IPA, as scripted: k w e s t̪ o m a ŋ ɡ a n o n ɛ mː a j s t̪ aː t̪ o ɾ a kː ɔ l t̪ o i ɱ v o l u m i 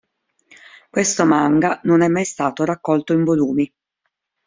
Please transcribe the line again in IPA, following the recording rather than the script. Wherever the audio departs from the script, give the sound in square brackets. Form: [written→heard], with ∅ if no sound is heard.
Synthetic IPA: k w e s t̪ o m a ŋ ɡ a n o n ɛ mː a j s t̪ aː t̪ o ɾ a kː ɔ l t̪ o i ɱ v o l [u→uː] m i